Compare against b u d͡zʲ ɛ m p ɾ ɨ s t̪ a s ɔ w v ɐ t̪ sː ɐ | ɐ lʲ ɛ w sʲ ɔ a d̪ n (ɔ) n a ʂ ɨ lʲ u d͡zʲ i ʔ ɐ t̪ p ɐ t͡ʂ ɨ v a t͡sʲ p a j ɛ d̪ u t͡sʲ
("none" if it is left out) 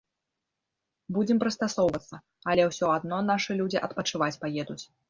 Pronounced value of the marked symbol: ɔ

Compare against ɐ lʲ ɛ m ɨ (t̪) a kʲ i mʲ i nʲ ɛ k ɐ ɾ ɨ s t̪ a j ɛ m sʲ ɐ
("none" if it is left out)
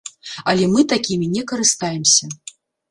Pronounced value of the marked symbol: t̪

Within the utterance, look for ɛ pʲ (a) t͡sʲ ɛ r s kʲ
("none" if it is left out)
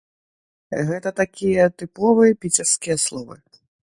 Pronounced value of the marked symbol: i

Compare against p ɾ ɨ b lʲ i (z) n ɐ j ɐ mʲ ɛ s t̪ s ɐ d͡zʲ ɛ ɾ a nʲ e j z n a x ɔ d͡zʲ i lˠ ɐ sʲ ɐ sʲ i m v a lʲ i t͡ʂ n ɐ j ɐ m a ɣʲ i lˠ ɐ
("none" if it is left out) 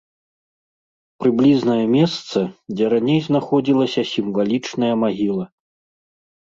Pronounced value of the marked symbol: z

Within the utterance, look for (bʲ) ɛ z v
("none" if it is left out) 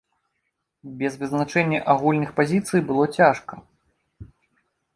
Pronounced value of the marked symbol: bʲ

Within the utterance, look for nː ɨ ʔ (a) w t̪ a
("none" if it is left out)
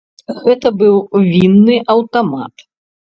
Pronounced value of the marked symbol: ɐ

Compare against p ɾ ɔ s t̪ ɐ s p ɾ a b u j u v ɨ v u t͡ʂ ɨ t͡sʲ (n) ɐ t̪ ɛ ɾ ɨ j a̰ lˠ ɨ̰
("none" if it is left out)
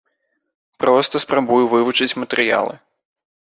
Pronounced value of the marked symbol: m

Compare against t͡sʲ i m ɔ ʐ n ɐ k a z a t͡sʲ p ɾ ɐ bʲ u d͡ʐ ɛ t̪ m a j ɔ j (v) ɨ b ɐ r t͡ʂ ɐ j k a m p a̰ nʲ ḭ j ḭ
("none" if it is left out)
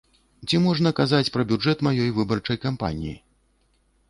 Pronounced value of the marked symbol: v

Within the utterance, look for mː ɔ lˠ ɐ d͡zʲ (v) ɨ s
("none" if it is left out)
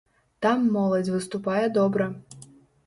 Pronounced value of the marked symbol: v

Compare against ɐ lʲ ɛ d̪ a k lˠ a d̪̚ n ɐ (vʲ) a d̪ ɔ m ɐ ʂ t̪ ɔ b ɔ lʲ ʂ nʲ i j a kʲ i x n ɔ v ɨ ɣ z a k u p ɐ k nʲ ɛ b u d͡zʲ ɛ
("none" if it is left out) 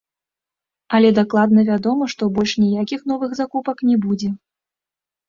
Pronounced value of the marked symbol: vʲ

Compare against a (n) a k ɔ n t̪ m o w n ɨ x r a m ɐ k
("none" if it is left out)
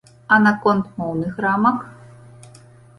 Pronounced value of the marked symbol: n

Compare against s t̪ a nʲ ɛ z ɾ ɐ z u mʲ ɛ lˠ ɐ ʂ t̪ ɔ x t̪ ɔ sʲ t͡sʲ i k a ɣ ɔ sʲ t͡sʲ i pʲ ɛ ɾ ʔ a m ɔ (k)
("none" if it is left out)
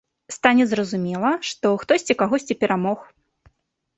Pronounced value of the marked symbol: x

